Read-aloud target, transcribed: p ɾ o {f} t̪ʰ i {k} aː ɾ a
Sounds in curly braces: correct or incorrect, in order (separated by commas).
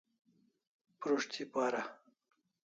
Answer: incorrect, incorrect